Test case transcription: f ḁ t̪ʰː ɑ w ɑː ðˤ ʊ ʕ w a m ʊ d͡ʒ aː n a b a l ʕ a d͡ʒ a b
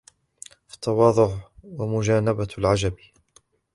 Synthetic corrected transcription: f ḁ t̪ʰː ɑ w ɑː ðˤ ʊ ʕ w a m ʊ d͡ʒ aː n a b a l ʕ a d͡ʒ a b